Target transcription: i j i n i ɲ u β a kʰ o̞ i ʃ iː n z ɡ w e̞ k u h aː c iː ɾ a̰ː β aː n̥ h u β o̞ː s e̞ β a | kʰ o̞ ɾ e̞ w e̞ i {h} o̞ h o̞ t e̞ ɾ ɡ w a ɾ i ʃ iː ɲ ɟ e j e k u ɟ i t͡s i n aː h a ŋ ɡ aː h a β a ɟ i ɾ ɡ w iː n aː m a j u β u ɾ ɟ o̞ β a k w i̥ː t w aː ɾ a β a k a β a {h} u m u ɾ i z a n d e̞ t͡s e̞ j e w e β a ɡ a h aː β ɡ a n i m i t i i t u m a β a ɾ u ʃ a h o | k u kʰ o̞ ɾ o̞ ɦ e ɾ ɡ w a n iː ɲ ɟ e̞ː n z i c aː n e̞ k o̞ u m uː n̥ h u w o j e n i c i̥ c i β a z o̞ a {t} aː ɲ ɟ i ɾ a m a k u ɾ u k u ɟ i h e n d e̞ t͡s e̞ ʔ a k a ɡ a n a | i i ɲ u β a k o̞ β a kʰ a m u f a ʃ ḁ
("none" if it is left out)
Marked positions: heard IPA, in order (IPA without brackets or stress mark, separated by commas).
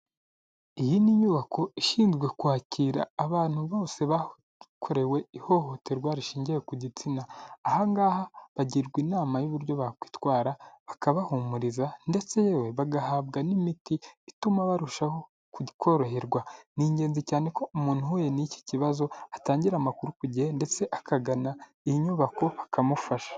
h, h, t